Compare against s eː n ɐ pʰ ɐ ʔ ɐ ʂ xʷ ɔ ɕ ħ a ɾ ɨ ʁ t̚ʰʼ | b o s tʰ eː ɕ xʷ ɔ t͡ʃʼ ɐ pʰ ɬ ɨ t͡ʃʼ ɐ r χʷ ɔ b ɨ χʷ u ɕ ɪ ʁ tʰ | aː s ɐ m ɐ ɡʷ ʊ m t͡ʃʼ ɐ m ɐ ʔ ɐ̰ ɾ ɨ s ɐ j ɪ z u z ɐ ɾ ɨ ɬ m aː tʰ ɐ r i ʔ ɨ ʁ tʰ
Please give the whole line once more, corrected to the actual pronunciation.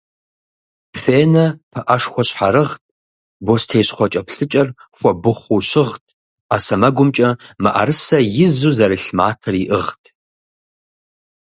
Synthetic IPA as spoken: f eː n ɐ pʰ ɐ ʔ ɐ ʂ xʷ ɔ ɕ ħ a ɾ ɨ ʁ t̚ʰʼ | b o s tʰ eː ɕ χʷ ɔ t͡ʃʼ ɐ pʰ ɬ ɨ t͡ʃʼ ɐ r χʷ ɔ b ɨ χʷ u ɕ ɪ ʁ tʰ | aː s ɐ m ɐ ɡʷ ʊ m t͡ʃʼ ɐ m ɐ ʔ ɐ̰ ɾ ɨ s ɐ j ɪ z u z ɐ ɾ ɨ ɬ m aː tʰ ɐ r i ʔ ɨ ʁ tʰ

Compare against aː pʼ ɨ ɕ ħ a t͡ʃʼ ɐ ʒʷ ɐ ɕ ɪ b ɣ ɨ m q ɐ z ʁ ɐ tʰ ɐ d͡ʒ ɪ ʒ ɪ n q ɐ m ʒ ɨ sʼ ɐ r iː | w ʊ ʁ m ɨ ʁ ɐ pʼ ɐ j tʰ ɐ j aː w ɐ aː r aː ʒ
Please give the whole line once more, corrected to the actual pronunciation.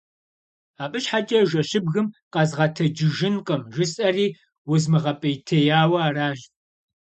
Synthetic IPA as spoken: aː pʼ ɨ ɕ ħ a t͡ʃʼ ɐ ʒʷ ɐ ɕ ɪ b ɣ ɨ m q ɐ z ʁ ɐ tʰ ɐ d͡ʒ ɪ ʒ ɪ n q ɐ m ʒ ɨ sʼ ɐ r iː | w ʊ z m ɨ ʁ ɐ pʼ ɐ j tʰ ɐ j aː w ɐ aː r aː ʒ

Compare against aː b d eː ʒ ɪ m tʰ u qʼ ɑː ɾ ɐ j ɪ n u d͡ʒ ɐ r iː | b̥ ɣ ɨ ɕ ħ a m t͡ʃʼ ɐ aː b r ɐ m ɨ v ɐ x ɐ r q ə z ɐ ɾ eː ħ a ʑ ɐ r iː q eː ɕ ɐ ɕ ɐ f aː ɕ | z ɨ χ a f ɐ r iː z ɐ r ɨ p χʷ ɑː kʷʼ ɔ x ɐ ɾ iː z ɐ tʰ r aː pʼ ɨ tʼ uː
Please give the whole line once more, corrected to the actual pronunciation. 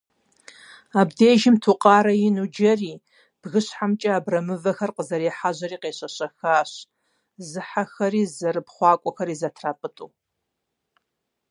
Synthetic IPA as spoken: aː b d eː ʒ ɪ m tʰ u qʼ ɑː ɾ ɐ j ɪ n u d͡ʒ ɐ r iː | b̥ ɣ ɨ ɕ ħ a m t͡ʃʼ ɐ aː b r ɐ m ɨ v ɐ x ɐ r q ə z ɐ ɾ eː ħ a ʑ ɐ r iː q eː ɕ ɐ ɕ ɐ x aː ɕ | z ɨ ħ a x ɐ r iː z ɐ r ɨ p χʷ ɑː kʷʼ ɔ x ɐ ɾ iː z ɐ tʰ r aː pʼ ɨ tʼ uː

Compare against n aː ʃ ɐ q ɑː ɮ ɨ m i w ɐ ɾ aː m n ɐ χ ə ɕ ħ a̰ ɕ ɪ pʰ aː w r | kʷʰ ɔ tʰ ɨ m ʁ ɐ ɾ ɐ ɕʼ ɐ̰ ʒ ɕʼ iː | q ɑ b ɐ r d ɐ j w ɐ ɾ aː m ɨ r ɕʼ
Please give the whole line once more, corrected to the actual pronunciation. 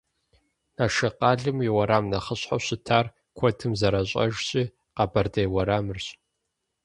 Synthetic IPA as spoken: n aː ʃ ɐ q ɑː ɮ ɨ m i w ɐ ɾ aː m n ɐ χ ə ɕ ħ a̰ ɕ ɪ tʰ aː r | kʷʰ ɔ tʰ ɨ m z ɐ ɾ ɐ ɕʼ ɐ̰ ʒ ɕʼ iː | q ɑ b ɐ r d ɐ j w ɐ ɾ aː m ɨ r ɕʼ

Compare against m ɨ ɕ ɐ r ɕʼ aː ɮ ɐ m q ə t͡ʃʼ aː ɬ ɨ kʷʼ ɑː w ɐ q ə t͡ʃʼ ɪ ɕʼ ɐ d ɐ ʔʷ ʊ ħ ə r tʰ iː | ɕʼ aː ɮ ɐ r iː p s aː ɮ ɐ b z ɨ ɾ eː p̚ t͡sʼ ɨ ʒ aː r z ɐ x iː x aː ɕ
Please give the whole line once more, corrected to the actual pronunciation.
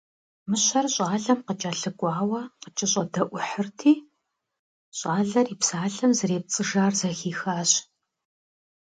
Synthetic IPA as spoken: m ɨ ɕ ɐ r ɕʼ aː ɮ ɐ m q ə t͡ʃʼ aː ɬ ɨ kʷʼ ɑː w ɐ q ə t͡ʃʼ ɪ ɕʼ ɐ d ɐ ʔʷ ʊ ħ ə r tʰ iː | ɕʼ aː ɮ ɐ r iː p s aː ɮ ɐ m z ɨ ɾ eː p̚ t͡sʼ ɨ ʒ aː r z ɐ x iː x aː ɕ

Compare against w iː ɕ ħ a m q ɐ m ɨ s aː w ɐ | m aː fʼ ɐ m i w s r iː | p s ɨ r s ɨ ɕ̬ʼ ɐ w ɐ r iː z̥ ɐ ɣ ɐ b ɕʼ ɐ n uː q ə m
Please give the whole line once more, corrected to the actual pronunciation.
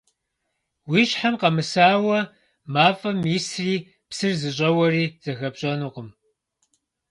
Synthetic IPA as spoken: w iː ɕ ħ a m q ɐ m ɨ s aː w ɐ | m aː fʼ ɐ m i s r iː | p s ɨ r z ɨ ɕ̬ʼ ɐ w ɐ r iː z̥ ɐ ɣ ɐ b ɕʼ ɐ n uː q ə m

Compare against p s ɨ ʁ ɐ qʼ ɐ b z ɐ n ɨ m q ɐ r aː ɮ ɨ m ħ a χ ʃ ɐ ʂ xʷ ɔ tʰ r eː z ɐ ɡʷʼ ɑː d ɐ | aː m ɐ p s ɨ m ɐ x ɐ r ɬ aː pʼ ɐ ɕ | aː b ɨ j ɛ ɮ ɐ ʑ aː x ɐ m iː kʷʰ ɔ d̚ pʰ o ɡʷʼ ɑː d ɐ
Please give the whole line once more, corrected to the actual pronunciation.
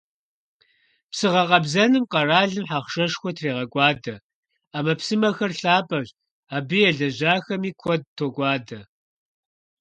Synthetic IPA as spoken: p s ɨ ʁ ɐ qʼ ɐ b z ɐ n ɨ m q ɐ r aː ɮ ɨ m ħ a χ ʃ ɐ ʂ xʷ ɔ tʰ r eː ʁ ɐ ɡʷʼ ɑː d ɐ | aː m ɐ p s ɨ m ɐ x ɐ r ɬ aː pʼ ɐ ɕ | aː b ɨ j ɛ ɮ ɐ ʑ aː x ɐ m iː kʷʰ ɔ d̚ tʰ o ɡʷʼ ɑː d ɐ

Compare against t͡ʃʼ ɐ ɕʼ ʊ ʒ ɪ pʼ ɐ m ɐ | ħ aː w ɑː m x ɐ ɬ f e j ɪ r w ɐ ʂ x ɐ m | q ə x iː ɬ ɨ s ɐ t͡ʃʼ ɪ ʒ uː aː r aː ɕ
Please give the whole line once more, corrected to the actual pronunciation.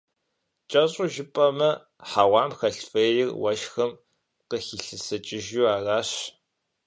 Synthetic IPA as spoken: t͡ʃʼ ɐ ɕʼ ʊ ʒ ɪ pʼ ɐ m ɐ | ħ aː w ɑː m x ɐ ɬ f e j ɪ r w ɐ ʃ x ɐ m | q ə x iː ɬ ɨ s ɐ t͡ʃʼ ɪ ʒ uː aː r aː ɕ

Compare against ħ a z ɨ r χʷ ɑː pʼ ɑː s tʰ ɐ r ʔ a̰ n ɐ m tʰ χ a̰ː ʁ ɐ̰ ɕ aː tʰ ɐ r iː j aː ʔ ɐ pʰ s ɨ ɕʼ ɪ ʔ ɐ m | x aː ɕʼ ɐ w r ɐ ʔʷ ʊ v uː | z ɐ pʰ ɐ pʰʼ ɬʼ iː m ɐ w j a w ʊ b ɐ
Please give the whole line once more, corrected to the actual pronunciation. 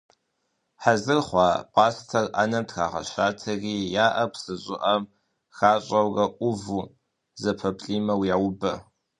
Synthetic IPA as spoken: ħ a z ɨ r χʷ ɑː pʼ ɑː s tʰ ɐ r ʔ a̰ n ɐ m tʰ x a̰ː ʁ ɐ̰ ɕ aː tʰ ɐ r iː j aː ʔ ɐ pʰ s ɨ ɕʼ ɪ ʔ ɐ m | x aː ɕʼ ɐ w r ɐ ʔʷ ʊ v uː | z ɐ pʰ ɐ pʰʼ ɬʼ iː m ɐ w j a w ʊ b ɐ

